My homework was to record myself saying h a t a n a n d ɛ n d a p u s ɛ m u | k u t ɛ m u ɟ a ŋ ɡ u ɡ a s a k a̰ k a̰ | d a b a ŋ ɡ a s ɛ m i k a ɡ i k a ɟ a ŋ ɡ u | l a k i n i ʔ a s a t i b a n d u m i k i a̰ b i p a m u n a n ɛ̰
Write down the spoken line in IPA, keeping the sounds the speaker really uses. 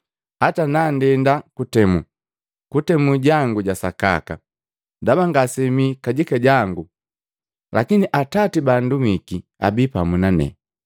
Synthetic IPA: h a t a n a n d ɛ n d a k u t ɛ m u | k u t ɛ m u ɟ a ŋ ɡ u ɟ a s a k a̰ k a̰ | d a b a ŋ ɡ a s ɛ m i k a ɟ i k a ɟ a ŋ ɡ u | l a k i n i ʔ a t a t i b a n d u m i k i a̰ b i p a m u n a n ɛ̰